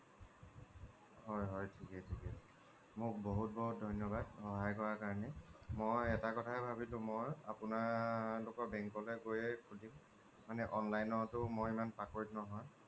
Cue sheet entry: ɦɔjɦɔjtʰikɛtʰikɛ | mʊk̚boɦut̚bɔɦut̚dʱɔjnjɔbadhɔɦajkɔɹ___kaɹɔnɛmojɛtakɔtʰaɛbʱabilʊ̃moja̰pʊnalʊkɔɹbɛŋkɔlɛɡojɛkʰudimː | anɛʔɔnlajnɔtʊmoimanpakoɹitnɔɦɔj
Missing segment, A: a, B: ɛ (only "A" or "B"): A